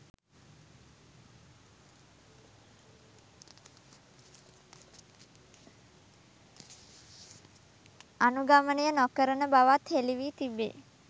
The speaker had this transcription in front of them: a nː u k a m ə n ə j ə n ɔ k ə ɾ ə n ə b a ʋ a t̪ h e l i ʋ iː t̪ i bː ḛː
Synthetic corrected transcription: a n u ɡ a m ə n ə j ə n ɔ k ə ɾ ə n ə b a ʋ a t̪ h e l i ʋ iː t̪ i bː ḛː